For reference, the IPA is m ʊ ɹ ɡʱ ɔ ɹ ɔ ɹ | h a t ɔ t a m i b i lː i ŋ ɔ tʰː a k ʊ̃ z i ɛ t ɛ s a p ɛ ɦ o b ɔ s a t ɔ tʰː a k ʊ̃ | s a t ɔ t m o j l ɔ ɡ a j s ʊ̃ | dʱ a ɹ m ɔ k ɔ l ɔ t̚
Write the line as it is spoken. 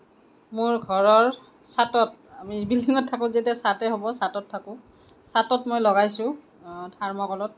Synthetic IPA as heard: m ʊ ɹ ɡʱ ɔ ɹ ɔ ɹ | s a t ɔ t a m i b i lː i ŋ ɔ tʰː a k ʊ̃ z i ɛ t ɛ s a t ɛ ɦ o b ɔ s a t ɔ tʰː a k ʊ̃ | s a t ɔ t m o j l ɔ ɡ a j s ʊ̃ | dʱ a ɹ m ɔ k ɔ l ɔ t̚